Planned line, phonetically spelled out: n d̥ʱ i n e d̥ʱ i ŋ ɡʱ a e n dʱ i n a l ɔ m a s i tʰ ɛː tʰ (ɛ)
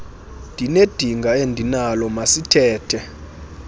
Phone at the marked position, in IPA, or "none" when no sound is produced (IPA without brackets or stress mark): ɛ